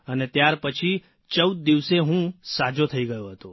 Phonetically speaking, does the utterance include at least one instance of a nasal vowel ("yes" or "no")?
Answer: yes